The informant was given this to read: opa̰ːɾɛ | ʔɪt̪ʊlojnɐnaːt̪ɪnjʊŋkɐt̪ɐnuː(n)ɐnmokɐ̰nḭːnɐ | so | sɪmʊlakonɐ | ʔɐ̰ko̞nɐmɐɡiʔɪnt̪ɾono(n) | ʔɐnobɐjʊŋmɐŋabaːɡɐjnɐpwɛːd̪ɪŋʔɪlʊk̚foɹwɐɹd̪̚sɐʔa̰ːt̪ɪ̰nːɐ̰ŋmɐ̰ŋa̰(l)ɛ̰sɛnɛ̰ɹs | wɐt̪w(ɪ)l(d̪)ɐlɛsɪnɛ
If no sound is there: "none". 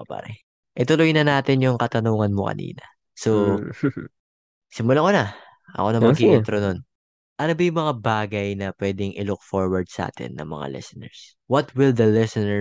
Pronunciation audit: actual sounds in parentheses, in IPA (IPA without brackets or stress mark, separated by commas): ŋ, n, l, ɪ, d̪